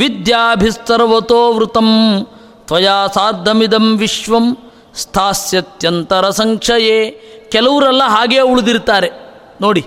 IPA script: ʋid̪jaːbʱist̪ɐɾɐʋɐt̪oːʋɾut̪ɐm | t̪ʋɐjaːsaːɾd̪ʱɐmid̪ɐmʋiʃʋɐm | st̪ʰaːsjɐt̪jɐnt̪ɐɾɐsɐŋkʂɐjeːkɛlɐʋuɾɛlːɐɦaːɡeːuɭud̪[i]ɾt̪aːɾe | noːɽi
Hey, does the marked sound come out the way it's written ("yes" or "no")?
yes